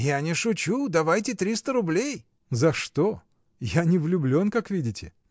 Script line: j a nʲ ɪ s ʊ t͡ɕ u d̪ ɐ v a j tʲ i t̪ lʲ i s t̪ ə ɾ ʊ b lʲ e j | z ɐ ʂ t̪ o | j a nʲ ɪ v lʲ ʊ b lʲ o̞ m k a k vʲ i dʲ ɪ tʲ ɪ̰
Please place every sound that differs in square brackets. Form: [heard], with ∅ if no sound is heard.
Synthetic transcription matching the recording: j a nʲ ɪ [ʂ] ʊ t͡ɕ u d̪ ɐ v a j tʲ [ɪ] t̪ [ɾʲ] i s t̪ ə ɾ ʊ b lʲ e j | z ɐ ʂ t̪ o | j a nʲ ɪ v lʲ ʊ b lʲ o̞ [n] k a k vʲ i dʲ ɪ tʲ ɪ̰